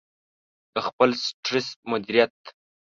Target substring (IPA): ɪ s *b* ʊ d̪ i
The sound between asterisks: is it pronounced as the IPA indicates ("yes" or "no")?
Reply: no